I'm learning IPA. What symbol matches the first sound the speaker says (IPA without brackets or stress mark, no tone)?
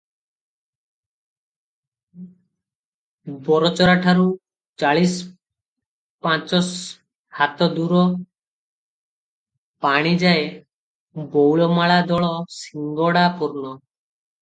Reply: b